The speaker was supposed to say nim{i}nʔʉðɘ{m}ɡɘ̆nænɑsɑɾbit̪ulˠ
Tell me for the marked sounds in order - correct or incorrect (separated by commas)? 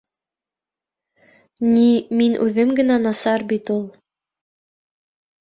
correct, correct